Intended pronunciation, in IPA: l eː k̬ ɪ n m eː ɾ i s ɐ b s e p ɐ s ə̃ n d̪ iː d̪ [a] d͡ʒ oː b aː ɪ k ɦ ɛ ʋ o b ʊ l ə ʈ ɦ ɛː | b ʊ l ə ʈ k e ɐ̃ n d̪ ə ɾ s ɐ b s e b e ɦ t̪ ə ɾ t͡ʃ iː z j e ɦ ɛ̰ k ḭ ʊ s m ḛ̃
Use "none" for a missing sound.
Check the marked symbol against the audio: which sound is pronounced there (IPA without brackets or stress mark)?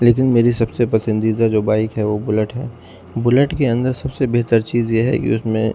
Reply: a